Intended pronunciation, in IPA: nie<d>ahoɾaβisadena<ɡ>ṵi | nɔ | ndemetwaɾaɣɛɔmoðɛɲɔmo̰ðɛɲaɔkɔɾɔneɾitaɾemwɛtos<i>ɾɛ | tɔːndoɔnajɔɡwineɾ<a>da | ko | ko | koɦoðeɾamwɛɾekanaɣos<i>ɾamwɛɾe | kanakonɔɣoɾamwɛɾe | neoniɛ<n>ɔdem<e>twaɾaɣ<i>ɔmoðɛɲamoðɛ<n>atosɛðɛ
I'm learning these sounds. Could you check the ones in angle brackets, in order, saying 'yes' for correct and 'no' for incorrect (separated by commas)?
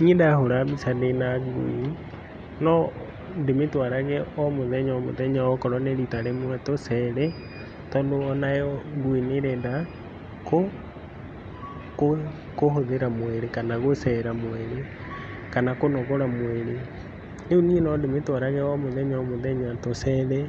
yes, yes, no, no, no, yes, yes, no, no